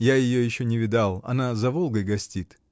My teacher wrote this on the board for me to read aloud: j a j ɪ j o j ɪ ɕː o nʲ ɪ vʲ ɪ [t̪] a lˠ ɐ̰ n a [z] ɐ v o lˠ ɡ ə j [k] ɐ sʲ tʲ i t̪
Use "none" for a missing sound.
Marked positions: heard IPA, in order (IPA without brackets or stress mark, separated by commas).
d̪, z, ɡ